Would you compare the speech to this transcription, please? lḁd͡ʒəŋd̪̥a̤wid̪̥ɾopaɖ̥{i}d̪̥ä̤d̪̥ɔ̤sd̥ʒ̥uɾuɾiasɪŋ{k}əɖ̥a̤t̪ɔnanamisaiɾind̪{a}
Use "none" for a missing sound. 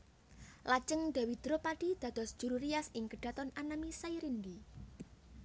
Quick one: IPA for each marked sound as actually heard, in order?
i, k, i

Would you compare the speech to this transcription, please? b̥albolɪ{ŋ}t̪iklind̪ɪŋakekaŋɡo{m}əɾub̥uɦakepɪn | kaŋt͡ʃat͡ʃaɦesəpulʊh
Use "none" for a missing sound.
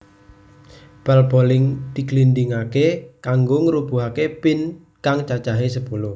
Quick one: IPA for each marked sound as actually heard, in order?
ŋ, ŋ

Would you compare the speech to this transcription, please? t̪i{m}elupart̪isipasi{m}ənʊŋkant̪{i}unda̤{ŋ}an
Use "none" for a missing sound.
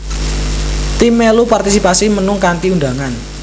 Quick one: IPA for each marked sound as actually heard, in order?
m, m, i, ŋ

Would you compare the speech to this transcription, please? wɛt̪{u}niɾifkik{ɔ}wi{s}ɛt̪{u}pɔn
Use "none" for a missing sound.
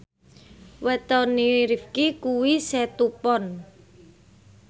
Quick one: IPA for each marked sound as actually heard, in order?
ɔ, u, s, u

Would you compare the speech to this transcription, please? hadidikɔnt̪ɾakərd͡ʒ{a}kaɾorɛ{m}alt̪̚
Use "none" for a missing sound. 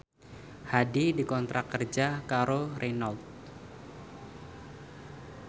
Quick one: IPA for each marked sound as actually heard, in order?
a, n

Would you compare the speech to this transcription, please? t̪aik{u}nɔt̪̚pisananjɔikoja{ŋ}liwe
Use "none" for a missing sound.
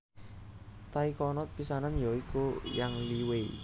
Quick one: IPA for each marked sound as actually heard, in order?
ɔ, ŋ

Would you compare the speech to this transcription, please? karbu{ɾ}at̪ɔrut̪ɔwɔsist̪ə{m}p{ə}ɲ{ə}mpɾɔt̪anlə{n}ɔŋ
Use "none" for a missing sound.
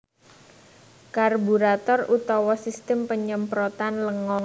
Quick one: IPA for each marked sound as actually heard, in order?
ɾ, m, ə, ə, ŋ

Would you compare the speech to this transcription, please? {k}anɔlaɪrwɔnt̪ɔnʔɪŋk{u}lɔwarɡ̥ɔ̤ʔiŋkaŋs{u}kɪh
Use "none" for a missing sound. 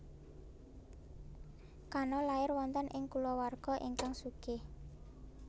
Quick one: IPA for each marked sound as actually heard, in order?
k, u, u

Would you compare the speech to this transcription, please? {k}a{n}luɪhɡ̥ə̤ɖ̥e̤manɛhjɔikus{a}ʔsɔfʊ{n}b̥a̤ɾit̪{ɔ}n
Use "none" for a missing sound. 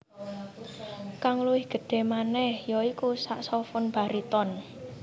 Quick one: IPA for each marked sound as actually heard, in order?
k, ŋ, a, n, ɔ

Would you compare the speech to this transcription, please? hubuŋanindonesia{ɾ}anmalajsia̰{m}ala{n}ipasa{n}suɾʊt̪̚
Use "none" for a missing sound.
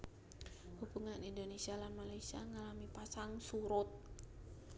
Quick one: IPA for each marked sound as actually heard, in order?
l, ŋ, m, ŋ

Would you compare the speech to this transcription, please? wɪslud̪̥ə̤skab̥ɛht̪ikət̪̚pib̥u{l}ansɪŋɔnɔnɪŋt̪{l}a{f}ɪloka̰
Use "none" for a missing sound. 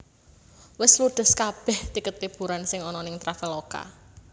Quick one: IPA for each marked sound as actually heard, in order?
ɾ, ɾ, f

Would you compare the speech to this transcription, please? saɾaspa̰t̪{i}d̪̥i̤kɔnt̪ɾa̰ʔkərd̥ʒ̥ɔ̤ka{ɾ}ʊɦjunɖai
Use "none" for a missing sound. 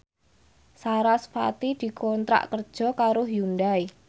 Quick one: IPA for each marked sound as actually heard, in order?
i, ɾ

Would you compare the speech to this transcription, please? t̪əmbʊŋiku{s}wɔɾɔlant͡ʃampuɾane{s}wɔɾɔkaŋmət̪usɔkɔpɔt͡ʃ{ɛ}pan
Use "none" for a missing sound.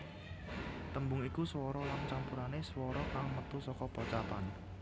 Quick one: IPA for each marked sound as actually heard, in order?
s, s, a

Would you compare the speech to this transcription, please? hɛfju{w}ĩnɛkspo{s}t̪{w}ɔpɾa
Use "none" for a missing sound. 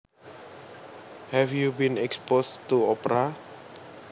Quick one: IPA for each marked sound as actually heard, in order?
b, s, u

